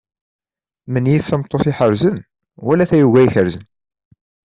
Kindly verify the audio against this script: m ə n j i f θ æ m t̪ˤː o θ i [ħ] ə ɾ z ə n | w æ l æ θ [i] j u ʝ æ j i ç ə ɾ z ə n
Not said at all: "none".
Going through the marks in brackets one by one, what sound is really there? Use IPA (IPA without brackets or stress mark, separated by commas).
ħ, æ